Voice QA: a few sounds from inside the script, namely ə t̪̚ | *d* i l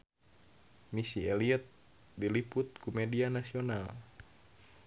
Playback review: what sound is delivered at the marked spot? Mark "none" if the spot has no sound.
d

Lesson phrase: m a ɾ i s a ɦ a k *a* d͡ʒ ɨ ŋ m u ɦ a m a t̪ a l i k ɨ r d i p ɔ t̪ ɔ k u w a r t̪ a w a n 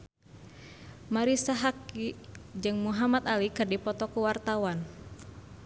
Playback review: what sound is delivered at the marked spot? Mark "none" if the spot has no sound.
i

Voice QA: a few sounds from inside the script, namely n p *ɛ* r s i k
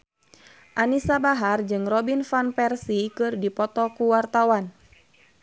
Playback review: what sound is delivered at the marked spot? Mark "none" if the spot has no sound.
ɛ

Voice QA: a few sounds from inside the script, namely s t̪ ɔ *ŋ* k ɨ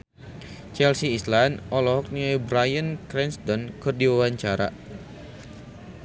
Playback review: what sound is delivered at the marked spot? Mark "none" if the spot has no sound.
n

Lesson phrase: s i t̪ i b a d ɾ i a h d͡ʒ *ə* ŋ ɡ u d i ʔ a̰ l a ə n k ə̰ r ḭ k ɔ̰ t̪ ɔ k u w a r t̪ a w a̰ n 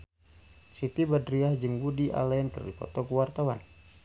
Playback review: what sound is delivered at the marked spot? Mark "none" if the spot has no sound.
ə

